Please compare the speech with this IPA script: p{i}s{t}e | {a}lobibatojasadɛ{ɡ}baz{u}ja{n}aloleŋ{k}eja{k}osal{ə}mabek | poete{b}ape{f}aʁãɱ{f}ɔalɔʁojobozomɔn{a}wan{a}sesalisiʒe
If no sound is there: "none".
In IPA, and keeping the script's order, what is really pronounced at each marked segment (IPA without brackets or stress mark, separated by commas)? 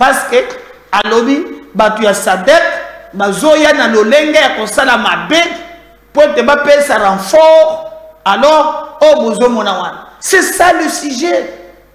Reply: a, k, a, k, o, n, ɡ, k, a, b, s, f, a, a